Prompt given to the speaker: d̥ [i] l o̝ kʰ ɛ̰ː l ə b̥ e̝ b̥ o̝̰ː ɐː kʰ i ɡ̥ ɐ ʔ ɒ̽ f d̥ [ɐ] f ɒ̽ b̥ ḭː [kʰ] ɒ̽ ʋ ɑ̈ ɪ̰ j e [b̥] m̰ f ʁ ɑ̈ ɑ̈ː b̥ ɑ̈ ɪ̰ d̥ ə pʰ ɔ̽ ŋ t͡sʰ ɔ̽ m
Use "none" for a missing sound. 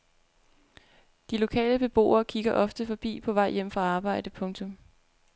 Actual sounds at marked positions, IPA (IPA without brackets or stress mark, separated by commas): i, ə, pʰ, none